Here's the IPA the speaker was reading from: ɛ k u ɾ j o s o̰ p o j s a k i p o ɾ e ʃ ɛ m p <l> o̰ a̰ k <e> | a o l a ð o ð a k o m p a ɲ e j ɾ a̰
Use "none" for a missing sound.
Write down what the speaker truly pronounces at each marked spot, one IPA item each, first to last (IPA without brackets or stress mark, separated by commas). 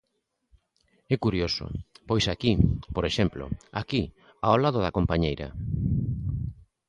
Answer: l, i